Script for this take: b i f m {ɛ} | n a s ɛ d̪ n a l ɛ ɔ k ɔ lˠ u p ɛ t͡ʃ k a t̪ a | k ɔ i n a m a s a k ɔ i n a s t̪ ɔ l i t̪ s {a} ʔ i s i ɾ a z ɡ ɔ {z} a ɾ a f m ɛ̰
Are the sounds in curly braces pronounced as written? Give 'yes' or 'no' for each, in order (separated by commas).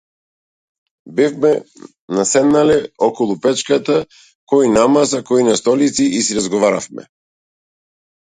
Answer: yes, no, no